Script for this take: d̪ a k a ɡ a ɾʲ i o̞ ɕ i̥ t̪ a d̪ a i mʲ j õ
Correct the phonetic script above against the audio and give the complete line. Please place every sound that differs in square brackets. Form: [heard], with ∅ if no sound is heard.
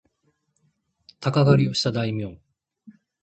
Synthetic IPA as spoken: [t̪] a k a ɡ a ɾʲ i o̞ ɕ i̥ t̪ a d̪ a i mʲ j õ